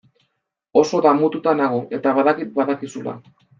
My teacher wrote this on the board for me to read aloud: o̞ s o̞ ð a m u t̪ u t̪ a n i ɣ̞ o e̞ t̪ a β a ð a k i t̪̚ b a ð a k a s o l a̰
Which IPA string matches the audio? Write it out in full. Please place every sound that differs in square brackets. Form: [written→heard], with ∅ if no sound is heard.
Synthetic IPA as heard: o̞ s o̞ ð a m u t̪ u t̪ a n [i→a] ɣ̞ o e̞ t̪ a β a ð a k i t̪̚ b a ð a k [a→i] s [o→u] l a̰